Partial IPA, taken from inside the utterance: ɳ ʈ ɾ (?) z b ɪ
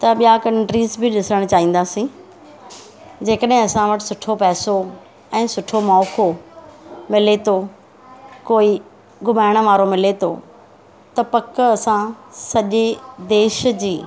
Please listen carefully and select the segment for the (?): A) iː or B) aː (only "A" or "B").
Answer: A